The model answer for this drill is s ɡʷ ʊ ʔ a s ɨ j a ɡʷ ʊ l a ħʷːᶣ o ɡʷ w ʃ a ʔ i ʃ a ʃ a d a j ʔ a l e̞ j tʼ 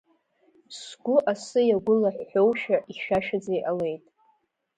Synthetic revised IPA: s ɡʷ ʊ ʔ a s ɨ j a ɡʷ ʊ l a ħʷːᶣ o w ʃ a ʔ i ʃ a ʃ a d͡z a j ʔ a l e̞ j tʼ